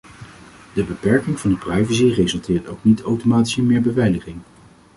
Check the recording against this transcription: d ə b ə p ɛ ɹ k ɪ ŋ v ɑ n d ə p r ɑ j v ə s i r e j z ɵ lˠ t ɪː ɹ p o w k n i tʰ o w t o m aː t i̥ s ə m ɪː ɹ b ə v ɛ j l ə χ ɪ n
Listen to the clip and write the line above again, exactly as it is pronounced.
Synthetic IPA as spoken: d ə b ə p ɛ ɹ k ɪ ŋ v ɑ n d ə p r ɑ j v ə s i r e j z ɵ lˠ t ɪː ɹ t o w k n i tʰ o w t o m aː t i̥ s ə m ɪː ɹ b ə v ɛ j l ə χ ɪ ŋ